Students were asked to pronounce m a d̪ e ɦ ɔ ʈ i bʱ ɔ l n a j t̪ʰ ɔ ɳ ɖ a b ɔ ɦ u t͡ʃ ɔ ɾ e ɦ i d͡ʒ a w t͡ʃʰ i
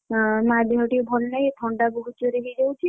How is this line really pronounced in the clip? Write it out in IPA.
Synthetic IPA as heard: m a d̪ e ɦ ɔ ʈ i bʱ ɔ l n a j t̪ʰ ɔ ɳ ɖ a b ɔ ɦ u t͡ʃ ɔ ɾ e ɦ i d͡ʒ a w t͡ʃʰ i